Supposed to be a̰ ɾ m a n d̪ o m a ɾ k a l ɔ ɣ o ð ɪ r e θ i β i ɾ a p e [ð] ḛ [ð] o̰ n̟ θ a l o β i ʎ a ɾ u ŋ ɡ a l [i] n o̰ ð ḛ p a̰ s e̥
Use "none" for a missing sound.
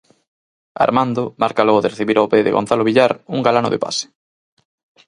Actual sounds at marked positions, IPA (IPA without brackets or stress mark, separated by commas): ð, ɣ, a